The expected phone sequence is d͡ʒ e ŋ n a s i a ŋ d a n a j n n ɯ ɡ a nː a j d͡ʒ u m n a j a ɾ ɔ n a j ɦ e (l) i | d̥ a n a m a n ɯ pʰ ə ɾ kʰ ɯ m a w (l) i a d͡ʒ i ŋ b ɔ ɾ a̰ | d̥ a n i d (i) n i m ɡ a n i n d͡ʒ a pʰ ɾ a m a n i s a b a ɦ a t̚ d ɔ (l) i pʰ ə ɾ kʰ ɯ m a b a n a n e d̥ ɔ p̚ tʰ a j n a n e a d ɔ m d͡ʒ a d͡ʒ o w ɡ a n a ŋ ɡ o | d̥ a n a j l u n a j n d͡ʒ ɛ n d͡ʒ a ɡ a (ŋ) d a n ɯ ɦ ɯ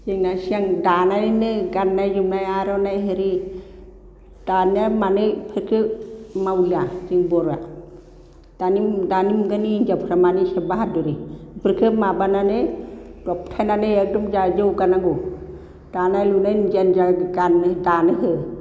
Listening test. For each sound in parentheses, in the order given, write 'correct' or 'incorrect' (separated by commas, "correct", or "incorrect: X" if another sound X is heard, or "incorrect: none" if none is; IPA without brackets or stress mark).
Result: incorrect: ɾ, correct, incorrect: a, incorrect: ɾ, incorrect: n